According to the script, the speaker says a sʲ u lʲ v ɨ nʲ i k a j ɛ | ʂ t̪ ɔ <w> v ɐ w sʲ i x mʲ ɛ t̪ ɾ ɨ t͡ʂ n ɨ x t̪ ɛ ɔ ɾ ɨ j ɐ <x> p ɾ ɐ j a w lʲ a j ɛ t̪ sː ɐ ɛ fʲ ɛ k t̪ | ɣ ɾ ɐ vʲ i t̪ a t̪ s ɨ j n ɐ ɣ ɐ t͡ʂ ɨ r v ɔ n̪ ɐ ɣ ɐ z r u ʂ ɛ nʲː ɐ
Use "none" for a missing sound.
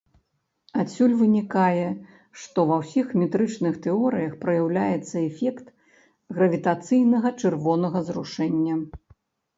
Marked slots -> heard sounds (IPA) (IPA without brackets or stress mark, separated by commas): none, x